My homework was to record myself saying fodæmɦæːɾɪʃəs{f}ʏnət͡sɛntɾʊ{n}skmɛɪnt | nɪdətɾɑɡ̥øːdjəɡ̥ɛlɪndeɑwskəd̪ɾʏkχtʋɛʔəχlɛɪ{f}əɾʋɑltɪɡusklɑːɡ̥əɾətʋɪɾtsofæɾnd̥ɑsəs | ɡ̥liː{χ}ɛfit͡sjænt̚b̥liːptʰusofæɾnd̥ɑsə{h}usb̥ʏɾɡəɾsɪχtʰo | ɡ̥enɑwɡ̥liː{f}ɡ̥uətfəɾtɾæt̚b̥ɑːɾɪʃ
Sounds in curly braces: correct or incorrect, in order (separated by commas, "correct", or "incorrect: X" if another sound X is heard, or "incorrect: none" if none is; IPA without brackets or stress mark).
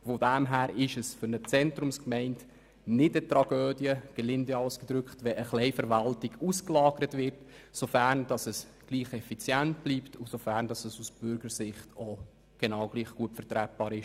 correct, incorrect: m, correct, correct, incorrect: s, incorrect: χ